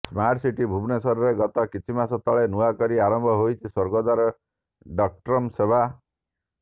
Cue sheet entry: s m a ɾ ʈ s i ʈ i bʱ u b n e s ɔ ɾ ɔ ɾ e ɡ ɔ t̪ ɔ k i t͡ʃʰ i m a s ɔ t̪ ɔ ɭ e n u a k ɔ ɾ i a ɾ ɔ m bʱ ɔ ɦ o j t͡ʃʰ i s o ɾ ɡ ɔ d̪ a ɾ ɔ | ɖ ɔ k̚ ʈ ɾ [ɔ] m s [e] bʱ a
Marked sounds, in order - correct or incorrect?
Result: correct, correct

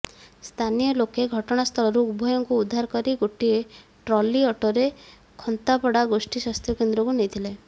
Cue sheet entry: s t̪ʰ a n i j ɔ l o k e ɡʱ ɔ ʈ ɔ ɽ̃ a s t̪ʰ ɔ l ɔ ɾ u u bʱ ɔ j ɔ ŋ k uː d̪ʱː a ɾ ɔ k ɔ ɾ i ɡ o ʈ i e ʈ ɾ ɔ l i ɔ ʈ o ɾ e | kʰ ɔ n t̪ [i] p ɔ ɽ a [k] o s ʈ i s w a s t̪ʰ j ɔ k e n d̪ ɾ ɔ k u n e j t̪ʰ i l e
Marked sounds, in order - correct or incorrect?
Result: incorrect: a, incorrect: ɡ

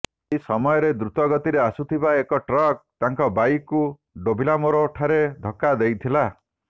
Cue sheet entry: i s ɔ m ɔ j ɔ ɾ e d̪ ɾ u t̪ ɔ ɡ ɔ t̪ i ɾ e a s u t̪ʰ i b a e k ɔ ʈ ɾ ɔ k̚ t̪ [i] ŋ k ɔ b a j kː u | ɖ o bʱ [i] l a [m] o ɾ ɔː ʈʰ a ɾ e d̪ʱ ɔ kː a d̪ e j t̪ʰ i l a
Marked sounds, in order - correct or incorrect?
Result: incorrect: a, correct, correct

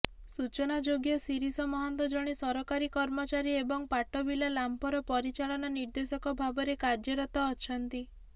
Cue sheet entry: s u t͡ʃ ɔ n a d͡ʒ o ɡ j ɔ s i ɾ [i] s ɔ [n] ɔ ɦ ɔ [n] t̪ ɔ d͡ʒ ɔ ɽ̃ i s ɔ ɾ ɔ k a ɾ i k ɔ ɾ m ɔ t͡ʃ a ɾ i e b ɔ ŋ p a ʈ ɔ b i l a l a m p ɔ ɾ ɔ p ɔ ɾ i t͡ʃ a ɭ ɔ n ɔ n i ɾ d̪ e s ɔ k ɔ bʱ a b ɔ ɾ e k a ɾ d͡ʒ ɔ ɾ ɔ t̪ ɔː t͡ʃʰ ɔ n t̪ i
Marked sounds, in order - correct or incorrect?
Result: correct, incorrect: m, correct

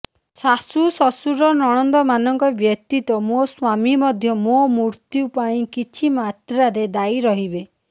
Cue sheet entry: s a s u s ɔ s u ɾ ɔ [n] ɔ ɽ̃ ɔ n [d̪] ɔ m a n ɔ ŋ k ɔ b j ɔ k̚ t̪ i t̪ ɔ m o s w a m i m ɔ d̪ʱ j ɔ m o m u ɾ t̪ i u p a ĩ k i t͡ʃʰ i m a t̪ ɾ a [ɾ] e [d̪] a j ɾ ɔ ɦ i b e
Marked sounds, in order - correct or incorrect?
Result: correct, correct, correct, correct

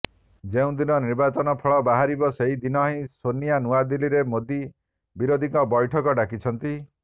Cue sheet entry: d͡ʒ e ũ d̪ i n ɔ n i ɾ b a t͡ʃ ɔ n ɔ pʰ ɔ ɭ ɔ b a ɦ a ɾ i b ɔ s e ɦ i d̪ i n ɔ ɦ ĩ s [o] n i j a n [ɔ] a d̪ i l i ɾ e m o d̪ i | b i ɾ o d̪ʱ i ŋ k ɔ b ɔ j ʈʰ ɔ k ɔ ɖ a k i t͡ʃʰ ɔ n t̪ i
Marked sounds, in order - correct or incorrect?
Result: correct, incorrect: u

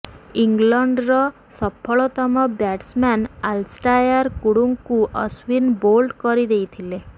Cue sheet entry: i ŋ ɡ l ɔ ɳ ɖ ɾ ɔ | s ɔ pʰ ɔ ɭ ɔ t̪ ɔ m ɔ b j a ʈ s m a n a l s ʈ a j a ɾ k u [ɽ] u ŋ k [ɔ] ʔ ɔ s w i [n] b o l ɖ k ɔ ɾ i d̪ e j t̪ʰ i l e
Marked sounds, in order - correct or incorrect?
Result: correct, incorrect: u, correct

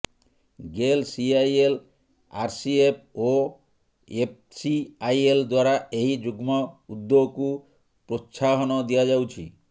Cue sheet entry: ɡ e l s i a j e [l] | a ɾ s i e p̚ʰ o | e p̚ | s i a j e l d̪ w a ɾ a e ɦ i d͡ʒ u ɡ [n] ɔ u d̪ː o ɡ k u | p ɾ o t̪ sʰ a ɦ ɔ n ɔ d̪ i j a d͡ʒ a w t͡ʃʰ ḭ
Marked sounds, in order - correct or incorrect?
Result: correct, incorrect: m

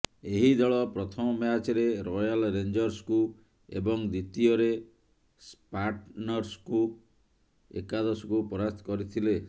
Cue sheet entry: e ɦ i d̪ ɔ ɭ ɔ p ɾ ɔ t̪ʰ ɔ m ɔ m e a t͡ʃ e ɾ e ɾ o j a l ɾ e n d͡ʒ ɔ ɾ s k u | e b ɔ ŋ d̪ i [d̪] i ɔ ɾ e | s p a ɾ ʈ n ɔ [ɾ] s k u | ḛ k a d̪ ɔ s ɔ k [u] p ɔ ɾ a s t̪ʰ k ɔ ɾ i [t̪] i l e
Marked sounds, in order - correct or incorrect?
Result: incorrect: t̪, correct, correct, incorrect: t̪ʰ

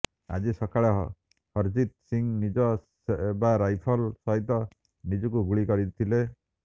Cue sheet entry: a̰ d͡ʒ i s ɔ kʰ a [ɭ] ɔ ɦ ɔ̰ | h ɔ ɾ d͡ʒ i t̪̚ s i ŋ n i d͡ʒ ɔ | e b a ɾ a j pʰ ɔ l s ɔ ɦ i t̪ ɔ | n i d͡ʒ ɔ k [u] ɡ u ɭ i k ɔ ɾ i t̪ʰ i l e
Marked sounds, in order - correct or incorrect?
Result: correct, correct

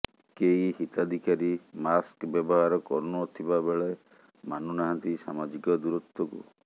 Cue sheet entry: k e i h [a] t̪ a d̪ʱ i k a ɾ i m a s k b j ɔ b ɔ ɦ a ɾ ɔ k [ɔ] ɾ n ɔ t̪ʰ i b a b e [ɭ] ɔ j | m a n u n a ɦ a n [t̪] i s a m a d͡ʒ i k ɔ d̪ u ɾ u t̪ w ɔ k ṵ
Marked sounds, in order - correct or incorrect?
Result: incorrect: i, correct, correct, correct

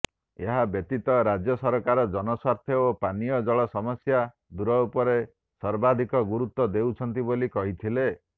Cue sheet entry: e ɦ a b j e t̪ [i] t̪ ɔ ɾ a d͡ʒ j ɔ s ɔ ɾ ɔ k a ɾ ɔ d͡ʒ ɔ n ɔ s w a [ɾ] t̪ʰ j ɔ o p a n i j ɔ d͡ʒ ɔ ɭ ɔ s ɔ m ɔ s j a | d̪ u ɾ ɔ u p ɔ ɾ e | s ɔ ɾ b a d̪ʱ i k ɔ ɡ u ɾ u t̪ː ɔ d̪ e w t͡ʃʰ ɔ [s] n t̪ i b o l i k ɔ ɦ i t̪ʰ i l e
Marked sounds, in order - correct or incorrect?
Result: correct, correct, incorrect: none

